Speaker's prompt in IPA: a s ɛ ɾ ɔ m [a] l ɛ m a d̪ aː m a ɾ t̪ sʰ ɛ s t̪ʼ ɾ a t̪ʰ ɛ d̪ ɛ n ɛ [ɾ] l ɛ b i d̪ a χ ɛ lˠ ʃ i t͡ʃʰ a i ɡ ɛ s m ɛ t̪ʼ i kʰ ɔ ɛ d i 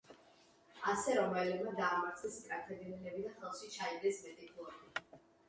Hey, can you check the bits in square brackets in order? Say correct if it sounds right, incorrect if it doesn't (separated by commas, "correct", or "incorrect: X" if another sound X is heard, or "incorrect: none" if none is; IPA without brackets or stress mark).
incorrect: ɛ, incorrect: none